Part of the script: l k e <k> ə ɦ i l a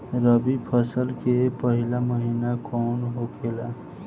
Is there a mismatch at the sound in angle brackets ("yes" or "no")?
yes